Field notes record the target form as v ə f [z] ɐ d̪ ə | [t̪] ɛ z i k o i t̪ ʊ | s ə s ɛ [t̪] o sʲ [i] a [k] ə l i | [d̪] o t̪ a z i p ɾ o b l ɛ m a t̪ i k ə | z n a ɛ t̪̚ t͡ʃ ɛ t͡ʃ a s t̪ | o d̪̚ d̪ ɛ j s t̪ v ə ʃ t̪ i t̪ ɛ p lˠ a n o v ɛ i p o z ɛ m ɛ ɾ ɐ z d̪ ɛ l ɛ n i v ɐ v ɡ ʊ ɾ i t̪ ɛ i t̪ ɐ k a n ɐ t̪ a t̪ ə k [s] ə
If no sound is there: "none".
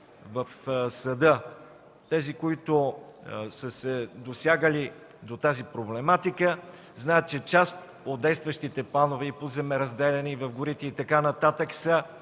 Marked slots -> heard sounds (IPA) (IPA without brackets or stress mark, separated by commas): s, t̪, d̪, j, ɡ, d̪, s